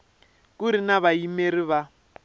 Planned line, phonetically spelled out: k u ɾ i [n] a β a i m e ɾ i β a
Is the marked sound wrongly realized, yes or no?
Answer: no